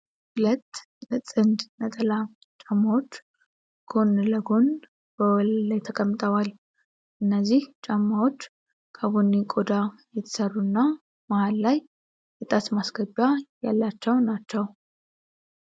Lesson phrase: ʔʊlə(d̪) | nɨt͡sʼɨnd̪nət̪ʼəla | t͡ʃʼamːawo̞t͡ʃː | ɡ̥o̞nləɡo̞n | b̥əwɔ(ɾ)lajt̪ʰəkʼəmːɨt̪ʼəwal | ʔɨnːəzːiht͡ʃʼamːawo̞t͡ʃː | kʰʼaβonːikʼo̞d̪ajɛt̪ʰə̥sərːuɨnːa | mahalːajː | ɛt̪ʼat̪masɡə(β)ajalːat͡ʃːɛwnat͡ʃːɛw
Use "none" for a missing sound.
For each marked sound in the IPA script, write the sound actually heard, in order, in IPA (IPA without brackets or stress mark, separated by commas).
t̪, l, b